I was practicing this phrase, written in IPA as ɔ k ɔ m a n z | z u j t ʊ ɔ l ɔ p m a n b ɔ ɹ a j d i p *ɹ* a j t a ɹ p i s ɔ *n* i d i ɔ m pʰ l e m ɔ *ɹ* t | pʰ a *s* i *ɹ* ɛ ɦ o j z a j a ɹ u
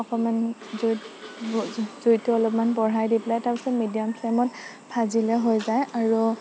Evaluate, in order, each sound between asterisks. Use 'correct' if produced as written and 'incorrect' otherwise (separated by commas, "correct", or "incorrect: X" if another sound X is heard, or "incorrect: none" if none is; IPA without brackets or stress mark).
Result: incorrect: l, incorrect: m, incorrect: none, incorrect: z, incorrect: l